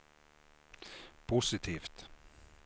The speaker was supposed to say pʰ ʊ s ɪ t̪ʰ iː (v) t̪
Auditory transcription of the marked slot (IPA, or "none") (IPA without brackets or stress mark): f